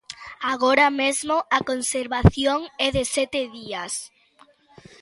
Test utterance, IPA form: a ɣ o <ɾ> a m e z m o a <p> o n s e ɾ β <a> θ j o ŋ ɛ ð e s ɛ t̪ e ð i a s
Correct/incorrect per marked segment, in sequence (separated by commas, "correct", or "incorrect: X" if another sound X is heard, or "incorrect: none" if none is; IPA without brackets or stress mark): correct, incorrect: k, correct